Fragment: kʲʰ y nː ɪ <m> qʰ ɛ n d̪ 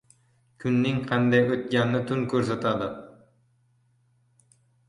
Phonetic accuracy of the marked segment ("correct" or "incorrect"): incorrect